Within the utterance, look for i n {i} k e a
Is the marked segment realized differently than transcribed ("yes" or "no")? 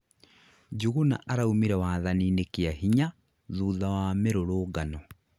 yes